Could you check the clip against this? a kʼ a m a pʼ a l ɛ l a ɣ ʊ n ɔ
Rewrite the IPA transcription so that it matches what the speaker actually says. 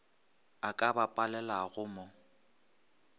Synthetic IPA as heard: a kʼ a b a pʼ a l ɛ l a ɣ ʊ m ɔ